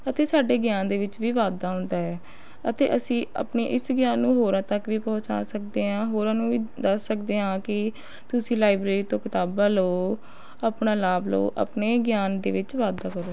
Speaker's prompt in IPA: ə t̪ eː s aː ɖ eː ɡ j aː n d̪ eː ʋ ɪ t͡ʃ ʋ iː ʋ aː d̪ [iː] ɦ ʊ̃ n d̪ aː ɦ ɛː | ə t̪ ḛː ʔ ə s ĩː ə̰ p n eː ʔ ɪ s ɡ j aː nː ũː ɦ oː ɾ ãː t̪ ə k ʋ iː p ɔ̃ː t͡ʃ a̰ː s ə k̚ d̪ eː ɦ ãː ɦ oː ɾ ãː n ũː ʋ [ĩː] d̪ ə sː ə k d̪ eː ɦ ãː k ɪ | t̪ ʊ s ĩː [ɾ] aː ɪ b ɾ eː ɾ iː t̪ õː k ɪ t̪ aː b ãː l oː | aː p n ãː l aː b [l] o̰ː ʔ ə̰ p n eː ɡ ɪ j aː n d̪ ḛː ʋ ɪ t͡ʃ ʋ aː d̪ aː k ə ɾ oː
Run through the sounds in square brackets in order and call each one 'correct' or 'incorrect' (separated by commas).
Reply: incorrect, incorrect, incorrect, correct